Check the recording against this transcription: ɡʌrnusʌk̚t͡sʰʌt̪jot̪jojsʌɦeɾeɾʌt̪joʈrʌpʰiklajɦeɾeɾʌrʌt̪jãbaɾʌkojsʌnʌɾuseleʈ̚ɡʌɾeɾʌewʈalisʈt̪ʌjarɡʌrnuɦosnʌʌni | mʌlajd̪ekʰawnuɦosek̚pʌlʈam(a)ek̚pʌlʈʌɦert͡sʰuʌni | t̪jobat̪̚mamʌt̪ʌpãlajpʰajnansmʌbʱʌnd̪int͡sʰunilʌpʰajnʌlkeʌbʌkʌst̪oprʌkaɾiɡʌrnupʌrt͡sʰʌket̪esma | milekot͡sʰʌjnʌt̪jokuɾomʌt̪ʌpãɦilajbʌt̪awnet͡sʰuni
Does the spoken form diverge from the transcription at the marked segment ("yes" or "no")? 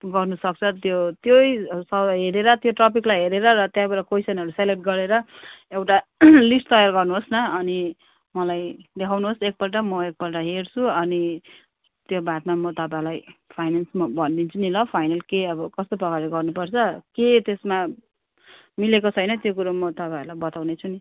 yes